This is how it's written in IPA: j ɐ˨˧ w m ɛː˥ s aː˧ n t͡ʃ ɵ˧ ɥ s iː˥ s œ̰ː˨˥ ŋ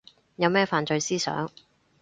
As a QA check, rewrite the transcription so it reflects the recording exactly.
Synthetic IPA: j ɐ˨˧ w m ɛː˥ f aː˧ n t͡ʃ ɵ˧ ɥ s iː˥ s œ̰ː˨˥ ŋ